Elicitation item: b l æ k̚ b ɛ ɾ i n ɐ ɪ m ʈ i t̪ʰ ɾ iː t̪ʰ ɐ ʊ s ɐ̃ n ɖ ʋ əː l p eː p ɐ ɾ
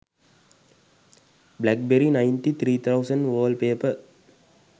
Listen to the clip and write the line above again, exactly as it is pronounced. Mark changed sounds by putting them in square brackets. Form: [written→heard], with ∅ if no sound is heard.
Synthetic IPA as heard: b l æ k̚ b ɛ ɾ i n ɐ ɪ [m→n] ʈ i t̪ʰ ɾ iː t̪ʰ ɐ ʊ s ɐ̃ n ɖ ʋ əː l p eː p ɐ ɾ